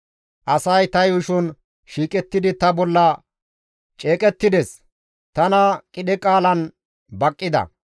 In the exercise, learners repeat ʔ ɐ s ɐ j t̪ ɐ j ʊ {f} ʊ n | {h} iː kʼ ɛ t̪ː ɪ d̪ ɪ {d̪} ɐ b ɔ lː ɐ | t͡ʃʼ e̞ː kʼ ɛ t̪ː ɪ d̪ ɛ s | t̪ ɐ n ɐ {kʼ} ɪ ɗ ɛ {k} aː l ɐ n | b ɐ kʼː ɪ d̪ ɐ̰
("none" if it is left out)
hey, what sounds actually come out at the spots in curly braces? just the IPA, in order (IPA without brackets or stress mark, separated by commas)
ʃ, ʃ, t̪, kʼ, kʼ